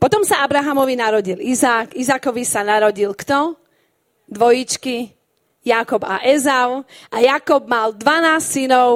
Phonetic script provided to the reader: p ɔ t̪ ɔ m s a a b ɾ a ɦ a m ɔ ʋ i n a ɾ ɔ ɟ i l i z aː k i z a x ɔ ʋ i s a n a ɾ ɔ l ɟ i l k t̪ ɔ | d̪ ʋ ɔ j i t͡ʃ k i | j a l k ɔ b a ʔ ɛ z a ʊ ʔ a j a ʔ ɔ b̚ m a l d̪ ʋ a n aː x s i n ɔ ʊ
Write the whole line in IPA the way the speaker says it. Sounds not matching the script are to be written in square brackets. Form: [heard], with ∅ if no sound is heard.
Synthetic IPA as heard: p ɔ t̪ ɔ m s a a b ɾ a ɦ a m ɔ ʋ i n a ɾ ɔ ɟ i l i z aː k i z a [k] ɔ ʋ i s a n a ɾ ɔ [∅] ɟ i l k t̪ ɔ | d̪ ʋ ɔ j i t͡ʃ k i | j a [∅] k ɔ b a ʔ ɛ z a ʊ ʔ a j a [k] ɔ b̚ m a l d̪ ʋ a n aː [s] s i n ɔ ʊ